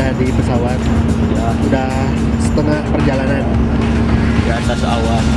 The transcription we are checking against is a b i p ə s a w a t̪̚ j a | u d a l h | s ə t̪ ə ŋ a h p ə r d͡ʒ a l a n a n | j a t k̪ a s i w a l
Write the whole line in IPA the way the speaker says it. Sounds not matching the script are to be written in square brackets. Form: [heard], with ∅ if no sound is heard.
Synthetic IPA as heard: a [d] i p ə s a w a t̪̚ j a | u d a [∅] h | s ə t̪ ə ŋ a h p ə r d͡ʒ a l a n a n | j a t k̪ a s [a] w a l

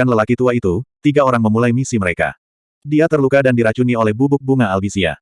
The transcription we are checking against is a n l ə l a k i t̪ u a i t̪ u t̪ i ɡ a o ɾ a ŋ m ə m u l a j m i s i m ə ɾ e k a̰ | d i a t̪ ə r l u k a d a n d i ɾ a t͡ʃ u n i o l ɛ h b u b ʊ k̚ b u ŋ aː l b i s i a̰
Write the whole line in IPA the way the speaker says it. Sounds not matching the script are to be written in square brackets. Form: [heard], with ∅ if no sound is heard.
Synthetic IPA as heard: a n l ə l a k i t̪ u a i t̪ u t̪ i ɡ a o ɾ a ŋ m ə m u l a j m i s i m ə ɾ e k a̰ | d i a t̪ ə r l u k a d a n d i ɾ a t͡ʃ u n i o l ɛ h b u b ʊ k̚ b u ŋ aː l b i s i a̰

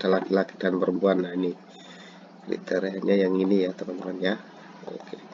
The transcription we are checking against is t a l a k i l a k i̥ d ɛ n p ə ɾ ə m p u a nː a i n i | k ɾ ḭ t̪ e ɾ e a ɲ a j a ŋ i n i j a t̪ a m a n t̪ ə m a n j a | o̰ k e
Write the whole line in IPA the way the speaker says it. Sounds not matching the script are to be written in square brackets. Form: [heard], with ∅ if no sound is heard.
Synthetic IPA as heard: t a l a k i l a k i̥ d [a] n p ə ɾ ə m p u a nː a i n i | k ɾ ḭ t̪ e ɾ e a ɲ a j a ŋ i n i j a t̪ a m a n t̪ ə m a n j a | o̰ k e

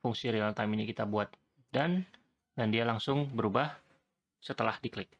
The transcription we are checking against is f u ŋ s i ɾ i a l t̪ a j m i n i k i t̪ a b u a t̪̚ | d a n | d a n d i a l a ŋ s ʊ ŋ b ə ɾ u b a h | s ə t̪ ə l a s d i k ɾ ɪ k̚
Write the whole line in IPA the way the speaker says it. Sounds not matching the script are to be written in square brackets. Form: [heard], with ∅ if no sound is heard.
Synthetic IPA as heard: f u ŋ s i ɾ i a l t̪ a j m i n i k i t̪ a b u a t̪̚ | d a n | d a n d i a l a ŋ s ʊ ŋ b ə ɾ u b a h | s ə t̪ ə l a [h] d i k [l] ɪ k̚

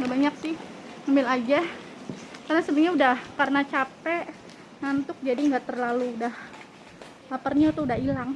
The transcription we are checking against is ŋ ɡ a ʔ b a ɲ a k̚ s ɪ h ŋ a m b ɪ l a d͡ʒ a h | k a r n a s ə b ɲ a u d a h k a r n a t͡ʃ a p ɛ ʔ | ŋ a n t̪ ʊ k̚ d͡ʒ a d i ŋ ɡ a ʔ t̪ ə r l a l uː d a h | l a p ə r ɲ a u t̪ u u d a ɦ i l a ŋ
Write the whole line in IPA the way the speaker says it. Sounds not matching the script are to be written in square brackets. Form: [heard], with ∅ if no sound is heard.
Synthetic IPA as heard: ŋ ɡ a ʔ b a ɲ a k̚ s ɪ h ŋ a m b ɪ l a d͡ʒ a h | k a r n a s ə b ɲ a u d a h k a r n a t͡ʃ a p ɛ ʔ | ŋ a n t̪ ʊ k̚ d͡ʒ a d i ŋ ɡ a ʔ t̪ ə r l a l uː d a h | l a p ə r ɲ a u t̪ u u d a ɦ i l a ŋ

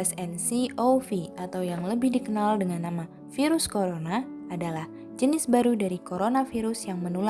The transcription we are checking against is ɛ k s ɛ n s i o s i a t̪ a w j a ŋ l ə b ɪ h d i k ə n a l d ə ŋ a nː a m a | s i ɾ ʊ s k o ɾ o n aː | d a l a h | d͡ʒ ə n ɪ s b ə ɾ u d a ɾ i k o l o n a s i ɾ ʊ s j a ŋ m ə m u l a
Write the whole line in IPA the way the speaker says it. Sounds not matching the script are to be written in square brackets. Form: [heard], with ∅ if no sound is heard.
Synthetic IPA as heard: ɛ [∅] s ɛ n s i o [f] i a t̪ a w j a ŋ l ə b ɪ h d i k ə n a l d ə ŋ a nː a m a | [f] i ɾ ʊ s k o ɾ o n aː | d a l a h | d͡ʒ ə n ɪ s b [a] ɾ u d a ɾ i k o [ɾ] o n a [f] i ɾ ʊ s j a ŋ m ə [n] u l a

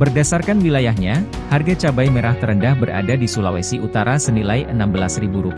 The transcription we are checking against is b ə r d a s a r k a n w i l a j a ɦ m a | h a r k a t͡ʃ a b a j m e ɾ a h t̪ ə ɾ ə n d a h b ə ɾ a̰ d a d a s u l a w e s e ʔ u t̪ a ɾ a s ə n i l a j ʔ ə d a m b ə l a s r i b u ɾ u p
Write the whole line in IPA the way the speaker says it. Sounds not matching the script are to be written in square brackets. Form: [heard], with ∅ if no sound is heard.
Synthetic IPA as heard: b ə r d a s a r k a n w i l a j a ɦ [ɲ] a | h a r [ɡ] a t͡ʃ a b a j m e ɾ a h t̪ ə ɾ ə n d a h b ə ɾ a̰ d a d [i] s u l a w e s [i] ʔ u t̪ a ɾ a s ə n i l a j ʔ ə [n] a m b ə l a s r i b u ɾ u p

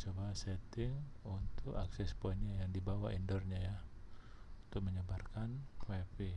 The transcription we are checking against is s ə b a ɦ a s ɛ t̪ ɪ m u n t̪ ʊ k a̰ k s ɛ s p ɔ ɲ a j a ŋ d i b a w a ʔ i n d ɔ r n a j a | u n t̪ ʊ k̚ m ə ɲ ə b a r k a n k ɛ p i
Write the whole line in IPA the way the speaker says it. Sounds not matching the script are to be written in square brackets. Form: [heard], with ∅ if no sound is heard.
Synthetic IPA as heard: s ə b a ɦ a s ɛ t̪ ɪ [ŋ] u n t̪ ʊ k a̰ k s ɛ s p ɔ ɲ a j a ŋ d i b a w a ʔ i n d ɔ r [ɲ] a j a | u n t̪ ʊ k̚ m ə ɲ ə b a r k a n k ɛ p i

